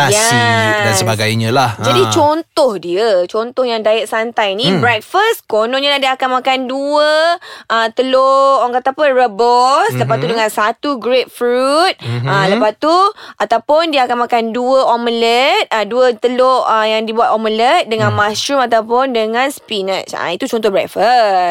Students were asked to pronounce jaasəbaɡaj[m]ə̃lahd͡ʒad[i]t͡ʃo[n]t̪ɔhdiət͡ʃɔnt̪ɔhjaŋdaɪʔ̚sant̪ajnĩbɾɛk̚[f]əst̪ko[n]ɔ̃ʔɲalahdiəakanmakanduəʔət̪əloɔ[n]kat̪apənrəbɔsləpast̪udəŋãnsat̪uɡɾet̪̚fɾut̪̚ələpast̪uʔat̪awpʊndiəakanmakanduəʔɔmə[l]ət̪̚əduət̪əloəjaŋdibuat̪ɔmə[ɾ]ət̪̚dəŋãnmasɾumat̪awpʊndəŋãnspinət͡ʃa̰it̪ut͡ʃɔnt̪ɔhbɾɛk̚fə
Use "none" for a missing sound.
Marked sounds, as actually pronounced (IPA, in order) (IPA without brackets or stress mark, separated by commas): ɲ, i, n, f, n, ŋ, l, l